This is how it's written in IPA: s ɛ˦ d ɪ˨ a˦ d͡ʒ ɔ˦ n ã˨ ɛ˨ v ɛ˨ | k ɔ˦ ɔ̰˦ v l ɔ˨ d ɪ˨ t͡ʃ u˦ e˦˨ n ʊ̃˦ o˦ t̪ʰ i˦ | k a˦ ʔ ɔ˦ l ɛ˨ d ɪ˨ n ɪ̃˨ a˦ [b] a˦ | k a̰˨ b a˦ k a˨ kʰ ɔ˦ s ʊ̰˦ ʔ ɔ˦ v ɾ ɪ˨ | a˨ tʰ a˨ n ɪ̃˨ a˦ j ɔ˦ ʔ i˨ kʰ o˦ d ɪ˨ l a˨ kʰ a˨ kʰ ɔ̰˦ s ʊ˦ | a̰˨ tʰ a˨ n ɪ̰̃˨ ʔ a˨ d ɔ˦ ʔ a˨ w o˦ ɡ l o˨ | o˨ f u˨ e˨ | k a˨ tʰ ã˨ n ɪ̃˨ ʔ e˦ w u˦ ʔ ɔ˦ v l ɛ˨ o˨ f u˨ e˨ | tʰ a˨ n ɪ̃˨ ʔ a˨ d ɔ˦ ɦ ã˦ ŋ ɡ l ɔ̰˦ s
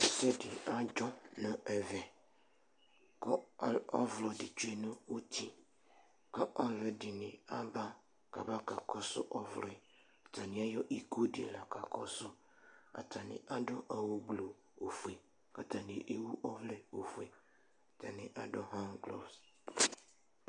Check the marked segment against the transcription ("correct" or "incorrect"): correct